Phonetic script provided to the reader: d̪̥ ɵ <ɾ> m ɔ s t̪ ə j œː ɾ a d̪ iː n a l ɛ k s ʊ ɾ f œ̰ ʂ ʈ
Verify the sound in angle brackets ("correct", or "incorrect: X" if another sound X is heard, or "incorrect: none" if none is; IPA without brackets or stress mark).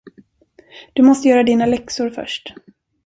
incorrect: none